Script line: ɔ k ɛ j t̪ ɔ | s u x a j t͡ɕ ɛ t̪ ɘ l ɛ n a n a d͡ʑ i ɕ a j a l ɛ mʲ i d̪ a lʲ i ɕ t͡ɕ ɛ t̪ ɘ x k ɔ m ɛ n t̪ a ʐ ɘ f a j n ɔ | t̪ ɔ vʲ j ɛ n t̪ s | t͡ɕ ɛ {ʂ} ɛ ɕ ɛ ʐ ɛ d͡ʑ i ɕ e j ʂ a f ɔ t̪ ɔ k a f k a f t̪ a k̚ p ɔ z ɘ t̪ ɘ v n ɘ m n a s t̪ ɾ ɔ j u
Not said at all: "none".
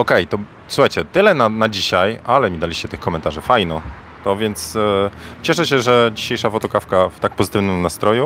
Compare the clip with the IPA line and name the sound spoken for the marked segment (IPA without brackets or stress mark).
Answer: ʂ